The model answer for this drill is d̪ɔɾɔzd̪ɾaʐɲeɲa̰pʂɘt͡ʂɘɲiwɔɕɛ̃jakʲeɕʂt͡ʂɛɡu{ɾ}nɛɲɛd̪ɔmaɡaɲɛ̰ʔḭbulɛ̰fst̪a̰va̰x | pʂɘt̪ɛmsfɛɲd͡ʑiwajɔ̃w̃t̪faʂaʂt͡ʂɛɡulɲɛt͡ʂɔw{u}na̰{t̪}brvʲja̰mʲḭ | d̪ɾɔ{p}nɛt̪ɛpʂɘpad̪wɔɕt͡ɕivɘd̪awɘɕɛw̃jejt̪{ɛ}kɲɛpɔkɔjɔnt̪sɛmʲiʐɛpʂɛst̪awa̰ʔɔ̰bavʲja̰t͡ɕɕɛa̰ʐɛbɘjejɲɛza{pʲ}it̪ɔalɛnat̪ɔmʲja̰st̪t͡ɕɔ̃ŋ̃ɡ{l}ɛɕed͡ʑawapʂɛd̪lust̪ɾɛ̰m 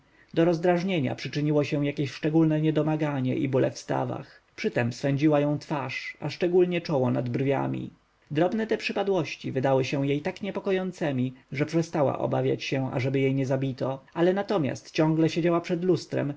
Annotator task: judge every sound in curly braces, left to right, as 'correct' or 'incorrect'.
incorrect: l, incorrect: ɔ, incorrect: d̪, incorrect: b, incorrect: a, incorrect: bʲ, correct

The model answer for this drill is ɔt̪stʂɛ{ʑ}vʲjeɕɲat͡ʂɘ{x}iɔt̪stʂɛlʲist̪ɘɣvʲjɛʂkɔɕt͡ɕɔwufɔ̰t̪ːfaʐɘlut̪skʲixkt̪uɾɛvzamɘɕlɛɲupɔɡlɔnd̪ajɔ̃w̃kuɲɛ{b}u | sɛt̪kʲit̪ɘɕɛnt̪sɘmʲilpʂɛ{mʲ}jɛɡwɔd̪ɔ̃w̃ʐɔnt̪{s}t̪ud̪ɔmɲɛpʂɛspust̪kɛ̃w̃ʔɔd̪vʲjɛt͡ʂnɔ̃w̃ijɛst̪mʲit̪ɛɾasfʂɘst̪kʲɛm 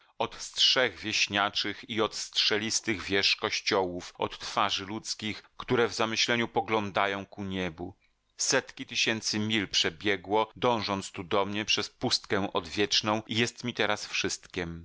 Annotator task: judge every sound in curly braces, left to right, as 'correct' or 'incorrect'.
incorrect: ɣ, correct, correct, incorrect: bʲ, correct

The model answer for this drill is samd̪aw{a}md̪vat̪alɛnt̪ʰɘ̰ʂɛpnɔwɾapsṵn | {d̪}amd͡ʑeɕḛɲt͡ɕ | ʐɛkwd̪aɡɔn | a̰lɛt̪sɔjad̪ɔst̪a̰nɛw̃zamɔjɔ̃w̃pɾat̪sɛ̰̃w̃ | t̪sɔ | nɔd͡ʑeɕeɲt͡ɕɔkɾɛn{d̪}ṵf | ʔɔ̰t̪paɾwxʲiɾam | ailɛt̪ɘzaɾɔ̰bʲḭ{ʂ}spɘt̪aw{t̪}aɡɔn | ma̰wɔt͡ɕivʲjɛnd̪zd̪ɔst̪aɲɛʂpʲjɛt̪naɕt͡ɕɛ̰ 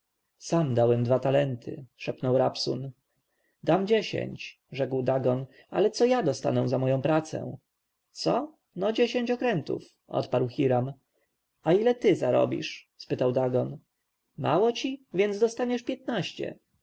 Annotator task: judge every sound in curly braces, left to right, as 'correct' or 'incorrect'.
incorrect: ɛ, correct, incorrect: t̪, correct, incorrect: d̪

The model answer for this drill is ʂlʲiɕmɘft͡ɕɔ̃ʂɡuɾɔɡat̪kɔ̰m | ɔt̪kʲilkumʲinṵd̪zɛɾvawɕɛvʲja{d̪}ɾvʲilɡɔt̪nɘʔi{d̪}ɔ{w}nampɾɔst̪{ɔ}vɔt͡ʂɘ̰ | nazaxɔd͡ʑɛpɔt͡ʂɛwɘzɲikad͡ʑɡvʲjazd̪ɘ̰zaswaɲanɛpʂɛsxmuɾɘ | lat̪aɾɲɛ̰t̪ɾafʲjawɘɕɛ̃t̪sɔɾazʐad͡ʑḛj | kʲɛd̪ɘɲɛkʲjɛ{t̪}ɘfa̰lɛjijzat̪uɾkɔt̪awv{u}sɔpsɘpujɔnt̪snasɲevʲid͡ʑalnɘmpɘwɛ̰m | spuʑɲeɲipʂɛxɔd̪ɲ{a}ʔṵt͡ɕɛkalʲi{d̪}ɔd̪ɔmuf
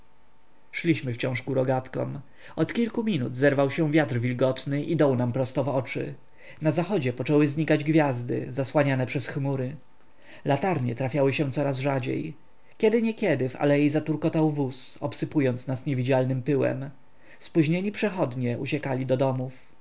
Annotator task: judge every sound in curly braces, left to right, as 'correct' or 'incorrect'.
incorrect: t̪, correct, correct, correct, incorrect: d̪, correct, incorrect: ɛ, correct

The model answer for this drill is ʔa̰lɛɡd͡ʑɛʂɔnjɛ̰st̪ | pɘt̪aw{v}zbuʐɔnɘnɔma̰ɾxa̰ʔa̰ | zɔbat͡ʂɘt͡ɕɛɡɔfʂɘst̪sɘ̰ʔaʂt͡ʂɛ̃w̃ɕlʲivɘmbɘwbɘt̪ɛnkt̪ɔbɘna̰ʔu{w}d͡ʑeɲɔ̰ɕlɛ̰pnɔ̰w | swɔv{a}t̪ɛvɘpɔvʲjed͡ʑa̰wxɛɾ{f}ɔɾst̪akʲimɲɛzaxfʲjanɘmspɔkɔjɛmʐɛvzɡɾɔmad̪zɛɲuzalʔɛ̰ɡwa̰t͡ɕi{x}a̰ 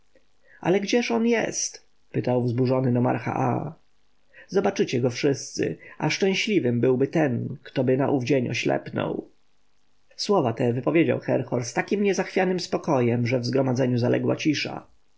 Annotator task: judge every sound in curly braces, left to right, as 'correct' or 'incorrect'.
correct, incorrect: v, correct, incorrect: x, incorrect: ʂ

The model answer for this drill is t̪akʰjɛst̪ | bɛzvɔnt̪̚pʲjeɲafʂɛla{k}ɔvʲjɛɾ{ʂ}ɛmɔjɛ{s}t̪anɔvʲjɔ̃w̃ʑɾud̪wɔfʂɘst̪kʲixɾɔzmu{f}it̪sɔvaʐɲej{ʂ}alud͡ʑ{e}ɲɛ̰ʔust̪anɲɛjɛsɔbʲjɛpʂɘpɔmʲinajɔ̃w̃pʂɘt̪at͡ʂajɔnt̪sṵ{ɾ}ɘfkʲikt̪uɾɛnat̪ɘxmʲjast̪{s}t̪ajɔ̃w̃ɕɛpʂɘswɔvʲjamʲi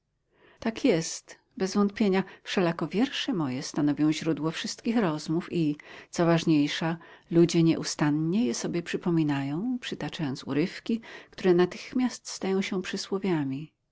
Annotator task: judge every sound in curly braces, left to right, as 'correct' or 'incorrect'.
correct, correct, correct, correct, correct, incorrect: ɛ, correct, correct

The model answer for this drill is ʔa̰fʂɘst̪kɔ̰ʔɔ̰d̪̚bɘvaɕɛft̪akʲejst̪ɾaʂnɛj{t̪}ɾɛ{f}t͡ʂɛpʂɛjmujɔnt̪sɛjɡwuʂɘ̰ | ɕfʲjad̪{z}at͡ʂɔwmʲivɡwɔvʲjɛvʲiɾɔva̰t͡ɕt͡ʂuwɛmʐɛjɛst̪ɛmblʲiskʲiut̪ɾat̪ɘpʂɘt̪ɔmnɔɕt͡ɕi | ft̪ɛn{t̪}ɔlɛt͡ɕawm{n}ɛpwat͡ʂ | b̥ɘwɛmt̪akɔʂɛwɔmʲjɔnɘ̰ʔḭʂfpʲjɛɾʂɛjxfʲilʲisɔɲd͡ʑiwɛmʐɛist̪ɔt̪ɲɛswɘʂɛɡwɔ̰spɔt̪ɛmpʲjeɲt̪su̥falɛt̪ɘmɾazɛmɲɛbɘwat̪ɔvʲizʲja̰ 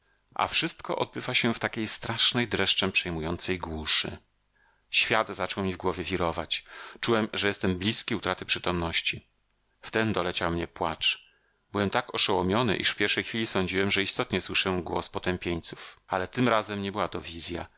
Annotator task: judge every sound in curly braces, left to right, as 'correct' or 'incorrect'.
incorrect: d̪, incorrect: ʂ, correct, incorrect: d̪, incorrect: ɲ

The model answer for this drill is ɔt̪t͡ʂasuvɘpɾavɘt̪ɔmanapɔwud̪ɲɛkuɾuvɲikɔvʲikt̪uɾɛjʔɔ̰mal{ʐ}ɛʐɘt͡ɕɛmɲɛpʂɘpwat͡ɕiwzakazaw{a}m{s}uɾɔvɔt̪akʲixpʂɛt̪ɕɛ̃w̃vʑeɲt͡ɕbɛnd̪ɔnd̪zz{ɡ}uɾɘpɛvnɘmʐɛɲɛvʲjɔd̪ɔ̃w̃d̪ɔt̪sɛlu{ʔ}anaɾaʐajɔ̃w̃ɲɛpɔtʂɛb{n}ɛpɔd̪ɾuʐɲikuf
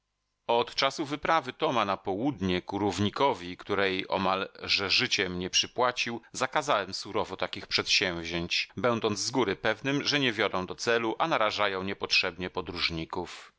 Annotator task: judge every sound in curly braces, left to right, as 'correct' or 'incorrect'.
correct, incorrect: ɛ, correct, correct, correct, incorrect: ɲ

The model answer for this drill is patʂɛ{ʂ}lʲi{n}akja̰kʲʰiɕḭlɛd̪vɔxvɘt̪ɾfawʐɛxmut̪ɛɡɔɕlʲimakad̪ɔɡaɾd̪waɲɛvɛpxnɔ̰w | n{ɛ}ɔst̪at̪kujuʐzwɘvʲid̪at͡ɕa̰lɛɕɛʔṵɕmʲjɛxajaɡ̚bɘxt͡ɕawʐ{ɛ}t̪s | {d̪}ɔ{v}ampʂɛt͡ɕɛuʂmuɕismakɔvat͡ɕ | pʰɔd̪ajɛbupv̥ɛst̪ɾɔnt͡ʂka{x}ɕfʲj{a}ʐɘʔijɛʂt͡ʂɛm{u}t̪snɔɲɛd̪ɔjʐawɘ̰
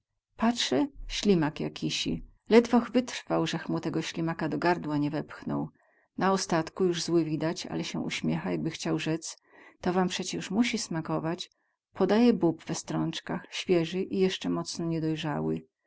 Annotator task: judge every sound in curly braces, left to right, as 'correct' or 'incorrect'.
incorrect: ɕ, incorrect: m, incorrect: a, correct, incorrect: t̪, correct, correct, incorrect: ɛ, incorrect: ɔ

